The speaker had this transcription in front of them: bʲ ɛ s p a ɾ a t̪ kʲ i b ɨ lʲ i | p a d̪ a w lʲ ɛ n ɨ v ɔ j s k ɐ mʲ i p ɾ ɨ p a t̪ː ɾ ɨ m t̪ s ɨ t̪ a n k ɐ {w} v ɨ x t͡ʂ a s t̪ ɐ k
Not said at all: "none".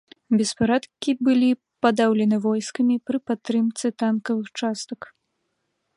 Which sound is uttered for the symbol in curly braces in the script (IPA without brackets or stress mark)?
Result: none